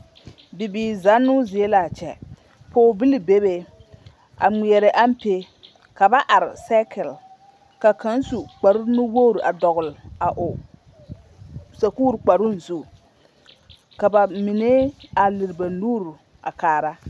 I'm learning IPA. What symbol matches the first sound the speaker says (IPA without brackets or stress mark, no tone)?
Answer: b